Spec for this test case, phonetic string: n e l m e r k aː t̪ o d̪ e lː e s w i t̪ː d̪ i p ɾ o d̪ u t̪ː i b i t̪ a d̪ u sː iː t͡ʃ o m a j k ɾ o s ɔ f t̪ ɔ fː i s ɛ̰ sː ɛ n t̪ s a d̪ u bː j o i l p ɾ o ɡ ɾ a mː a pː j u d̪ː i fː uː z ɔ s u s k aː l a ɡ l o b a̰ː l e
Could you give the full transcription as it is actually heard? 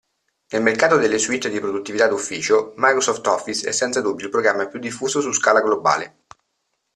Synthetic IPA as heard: n e l m e r k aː t̪ o d̪ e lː e s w i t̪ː d̪ i p ɾ o d̪ u t̪ː i v i t̪ a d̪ u fː iː t͡ʃ o m a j k ɾ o s ɔ f t̪ ɔ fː i s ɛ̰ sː ɛ n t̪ s a d̪ u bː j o i l p ɾ o ɡ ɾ a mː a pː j u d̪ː i fː uː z o s u s k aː l a ɡ l o b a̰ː l e